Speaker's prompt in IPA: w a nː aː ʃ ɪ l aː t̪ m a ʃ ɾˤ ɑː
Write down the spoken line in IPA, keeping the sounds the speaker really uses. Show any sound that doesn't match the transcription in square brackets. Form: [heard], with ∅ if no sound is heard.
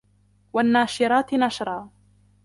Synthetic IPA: w a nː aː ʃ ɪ [ɾ] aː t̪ [n] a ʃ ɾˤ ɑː